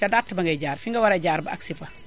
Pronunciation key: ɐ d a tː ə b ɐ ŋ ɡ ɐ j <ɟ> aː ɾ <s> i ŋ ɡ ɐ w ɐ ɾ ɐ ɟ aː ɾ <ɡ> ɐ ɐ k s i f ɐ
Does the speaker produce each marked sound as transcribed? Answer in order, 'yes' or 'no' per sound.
yes, no, no

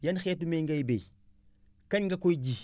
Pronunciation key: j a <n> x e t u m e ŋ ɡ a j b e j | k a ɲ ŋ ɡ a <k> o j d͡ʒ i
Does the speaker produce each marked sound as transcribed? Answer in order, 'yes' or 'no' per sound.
yes, yes

